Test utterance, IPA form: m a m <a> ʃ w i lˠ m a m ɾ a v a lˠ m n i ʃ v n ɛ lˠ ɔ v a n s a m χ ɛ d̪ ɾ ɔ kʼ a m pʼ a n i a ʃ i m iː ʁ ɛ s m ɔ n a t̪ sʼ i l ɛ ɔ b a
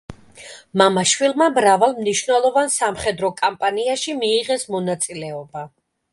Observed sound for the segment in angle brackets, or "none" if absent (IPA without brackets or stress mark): a